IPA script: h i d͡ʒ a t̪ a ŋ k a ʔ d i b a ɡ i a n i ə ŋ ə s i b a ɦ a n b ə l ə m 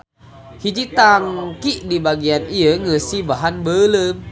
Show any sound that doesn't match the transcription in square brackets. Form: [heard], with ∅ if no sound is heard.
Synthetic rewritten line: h i d͡ʒ [i] t̪ a ŋ k [i] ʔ d i b a ɡ i a n i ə ŋ ə s i b a ɦ a n b ə l ə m